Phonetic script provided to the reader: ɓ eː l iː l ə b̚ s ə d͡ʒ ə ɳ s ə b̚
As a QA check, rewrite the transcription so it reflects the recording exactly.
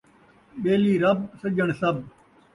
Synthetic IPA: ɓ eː l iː ɾ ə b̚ s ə d͡ʒ ə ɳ s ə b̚